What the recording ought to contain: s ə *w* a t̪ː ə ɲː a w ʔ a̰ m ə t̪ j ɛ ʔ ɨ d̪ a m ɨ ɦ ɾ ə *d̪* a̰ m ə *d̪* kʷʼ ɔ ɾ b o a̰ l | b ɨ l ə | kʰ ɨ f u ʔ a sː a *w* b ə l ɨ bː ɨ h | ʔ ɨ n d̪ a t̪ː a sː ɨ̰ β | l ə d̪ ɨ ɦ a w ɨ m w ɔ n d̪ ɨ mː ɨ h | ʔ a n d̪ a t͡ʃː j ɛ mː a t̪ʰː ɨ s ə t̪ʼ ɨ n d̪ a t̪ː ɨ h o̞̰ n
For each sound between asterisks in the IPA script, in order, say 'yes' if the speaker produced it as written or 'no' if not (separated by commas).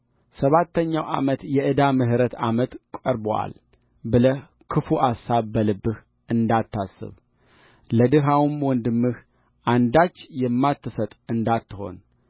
no, no, no, no